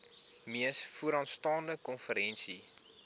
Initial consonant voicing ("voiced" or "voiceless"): voiced